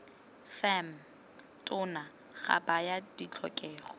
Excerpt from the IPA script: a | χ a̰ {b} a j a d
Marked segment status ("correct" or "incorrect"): correct